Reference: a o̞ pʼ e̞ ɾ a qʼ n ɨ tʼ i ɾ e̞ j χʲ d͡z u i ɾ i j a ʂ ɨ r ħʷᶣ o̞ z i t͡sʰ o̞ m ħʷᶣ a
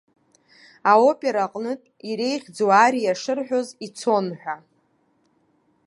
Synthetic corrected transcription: a o̞ pʼ e̞ ɾ a qʼ n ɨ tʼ i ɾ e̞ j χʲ d͡z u a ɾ i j a ʂ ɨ r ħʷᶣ o̞ z i t͡sʰ o̞ n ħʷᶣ a

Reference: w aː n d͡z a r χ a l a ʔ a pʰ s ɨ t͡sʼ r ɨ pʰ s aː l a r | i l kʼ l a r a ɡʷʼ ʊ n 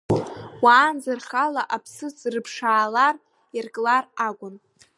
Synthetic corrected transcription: w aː n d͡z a r χ a l a ʔ a pʰ s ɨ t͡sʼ r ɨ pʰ ʂ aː l a r | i r kʼ l a r a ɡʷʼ ʊ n

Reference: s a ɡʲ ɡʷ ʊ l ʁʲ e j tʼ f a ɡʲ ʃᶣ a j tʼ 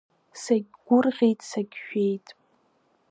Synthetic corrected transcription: s a ɡʲ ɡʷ ʊ r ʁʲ e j tʼ s a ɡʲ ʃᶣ e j tʼ

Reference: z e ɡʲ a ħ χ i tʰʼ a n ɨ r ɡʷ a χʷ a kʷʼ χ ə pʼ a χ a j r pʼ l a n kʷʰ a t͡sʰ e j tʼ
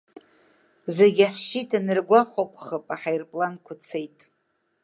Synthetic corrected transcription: z e ɡʲ a ħ ʃ i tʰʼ a n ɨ r ɡʷ a χʷ a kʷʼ χ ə pʼ a ħ a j r pʼ l a n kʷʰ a t͡sʰ e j tʼ

